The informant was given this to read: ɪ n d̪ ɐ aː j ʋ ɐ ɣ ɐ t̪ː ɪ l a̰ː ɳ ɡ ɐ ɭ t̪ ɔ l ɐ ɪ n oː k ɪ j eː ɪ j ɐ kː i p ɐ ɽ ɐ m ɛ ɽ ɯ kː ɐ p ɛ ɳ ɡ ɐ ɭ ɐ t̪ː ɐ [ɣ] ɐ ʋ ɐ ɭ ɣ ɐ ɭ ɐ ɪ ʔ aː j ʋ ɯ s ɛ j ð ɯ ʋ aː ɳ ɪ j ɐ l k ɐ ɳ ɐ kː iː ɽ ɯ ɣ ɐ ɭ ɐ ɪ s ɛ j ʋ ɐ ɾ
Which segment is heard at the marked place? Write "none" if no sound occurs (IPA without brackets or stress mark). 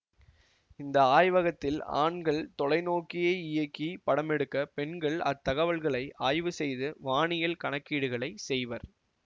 ɣ